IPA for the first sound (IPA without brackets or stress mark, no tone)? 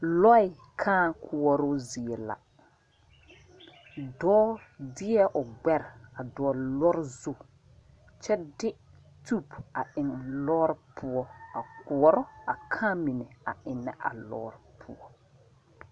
l